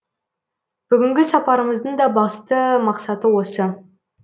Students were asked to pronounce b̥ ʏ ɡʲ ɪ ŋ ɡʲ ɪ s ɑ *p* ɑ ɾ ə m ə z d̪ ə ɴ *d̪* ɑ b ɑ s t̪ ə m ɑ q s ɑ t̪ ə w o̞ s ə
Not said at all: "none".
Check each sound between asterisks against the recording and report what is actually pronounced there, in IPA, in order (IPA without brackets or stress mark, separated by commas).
p, d̪